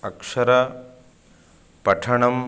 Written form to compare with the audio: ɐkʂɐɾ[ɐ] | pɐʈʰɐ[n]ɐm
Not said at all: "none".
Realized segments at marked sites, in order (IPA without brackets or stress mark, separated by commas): ɐ, ɳ